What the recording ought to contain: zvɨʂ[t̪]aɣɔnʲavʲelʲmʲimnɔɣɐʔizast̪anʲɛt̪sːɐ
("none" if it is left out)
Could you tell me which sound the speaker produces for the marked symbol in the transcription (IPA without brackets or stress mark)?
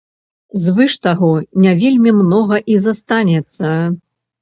t̪